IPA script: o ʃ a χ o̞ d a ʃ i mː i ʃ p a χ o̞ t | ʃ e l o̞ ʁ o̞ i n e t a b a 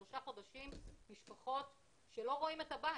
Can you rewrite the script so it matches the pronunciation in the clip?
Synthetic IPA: o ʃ a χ o̞ d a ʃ i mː i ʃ p a χ o̞ t | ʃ e l o̞ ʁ o̞ i m e t a b a

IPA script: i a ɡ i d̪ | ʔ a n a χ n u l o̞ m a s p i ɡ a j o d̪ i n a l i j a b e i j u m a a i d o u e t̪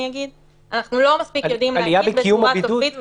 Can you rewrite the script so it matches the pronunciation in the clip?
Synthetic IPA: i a ɡ i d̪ | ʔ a n a χ n u l o̞ m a s p i k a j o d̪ i m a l i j a b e i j u m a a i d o u i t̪

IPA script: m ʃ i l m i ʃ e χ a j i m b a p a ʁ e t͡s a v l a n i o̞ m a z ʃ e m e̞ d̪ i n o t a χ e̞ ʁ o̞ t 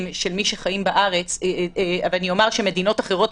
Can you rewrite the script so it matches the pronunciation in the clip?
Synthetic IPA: m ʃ e l m i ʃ e χ a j i m b a ʔ a ʁ e t͡s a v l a n i o̞ m a ʁ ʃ e m e̞ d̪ i n o t a χ e̞ ʁ o̞ t

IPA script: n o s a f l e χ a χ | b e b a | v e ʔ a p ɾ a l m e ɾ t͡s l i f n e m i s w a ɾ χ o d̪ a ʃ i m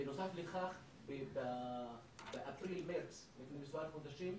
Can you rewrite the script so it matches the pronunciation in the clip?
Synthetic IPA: n o s a f l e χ a χ | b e b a | b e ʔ a p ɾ i l m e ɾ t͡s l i f n e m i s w a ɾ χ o d̪ a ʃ i m

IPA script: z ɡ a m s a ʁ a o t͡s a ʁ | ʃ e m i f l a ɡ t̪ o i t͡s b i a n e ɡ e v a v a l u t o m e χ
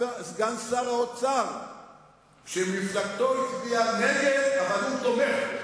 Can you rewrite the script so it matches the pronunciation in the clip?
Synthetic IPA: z ɡ a n s a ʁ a o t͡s a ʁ | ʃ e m i f l a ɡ t̪ o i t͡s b i a n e ɡ e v a v a l u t o m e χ

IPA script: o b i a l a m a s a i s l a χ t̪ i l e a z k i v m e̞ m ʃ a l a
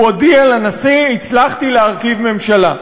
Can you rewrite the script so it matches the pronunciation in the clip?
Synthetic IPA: o d i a l a n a s i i t͡s l a χ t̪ i l e a ʁ k i v m e̞ m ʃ a l a

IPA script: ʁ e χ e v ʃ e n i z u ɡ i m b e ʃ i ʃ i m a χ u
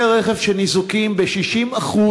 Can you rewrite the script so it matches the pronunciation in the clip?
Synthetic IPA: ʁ e χ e v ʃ e n i z u k i m b e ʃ i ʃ i m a χ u

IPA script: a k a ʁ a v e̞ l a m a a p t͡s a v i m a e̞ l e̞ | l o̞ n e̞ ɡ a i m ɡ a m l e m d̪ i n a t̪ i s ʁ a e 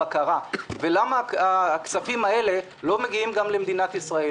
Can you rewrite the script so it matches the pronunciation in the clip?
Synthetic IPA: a k a ʁ a v e̞ l a m a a k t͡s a f i m a e̞ l e̞ | l o̞ m e̞ ɡ i i m ɡ a m l e m d̪ i n a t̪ i s ʁ a e

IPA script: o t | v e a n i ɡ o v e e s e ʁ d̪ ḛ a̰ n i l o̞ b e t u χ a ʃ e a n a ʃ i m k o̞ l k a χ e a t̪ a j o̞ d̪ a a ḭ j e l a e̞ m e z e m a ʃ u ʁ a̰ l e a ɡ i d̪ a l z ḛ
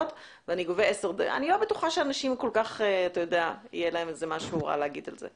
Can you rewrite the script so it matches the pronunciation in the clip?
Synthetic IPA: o t | v e a n i ɡ o v e e s e ʁ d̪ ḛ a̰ n i l o̞ b e t u χ a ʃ e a n a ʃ i m k o̞ l k a χ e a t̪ a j o̞ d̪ e a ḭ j e l a e̞ m e z e m a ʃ u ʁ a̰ l e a ɡ i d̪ a l z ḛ

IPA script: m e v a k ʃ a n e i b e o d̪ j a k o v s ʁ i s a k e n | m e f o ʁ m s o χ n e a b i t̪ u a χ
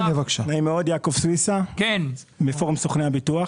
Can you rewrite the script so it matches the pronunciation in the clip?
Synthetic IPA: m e v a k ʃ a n a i m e o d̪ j a k o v s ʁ i s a k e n | m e f o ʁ m s o χ n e a b i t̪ u a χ

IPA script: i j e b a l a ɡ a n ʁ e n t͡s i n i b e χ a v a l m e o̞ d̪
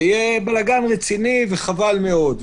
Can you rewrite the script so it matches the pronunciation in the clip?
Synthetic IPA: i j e b a l a ɡ a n ʁ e t͡s i n i v e χ a v a l m e o̞ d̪

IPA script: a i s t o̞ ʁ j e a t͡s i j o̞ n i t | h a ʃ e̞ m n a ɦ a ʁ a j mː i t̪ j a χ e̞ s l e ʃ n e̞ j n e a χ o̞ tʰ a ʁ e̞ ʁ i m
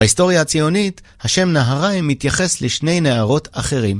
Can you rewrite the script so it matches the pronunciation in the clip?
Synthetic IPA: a i s t o̞ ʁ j a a t͡s i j o̞ n i t | h a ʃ e̞ m n a ɦ a ʁ a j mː i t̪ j a χ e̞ s l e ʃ n e̞ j n e a ʁ o̞ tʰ a χ e̞ ʁ i m

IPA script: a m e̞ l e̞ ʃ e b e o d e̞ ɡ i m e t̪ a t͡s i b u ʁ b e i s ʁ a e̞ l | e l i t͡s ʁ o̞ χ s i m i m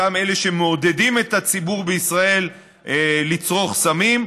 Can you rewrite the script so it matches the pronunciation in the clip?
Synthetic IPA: a m e̞ l e̞ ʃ e m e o d e̞ d i m e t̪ a t͡s i b u ʁ b e i s ʁ a e̞ l | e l i t͡s ʁ o̞ χ s a m i m

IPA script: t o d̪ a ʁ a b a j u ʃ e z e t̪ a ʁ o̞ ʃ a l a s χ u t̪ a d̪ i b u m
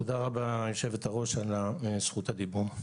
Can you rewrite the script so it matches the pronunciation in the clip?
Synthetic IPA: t o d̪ a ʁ a b a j o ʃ e v e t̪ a ʁ o̞ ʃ a l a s χ u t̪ a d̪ i b u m

